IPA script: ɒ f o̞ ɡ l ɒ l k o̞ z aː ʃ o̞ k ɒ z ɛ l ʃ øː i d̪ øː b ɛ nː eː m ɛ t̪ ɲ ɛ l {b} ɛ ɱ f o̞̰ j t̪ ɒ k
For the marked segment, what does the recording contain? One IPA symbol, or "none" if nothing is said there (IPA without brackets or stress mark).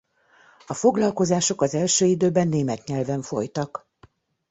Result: v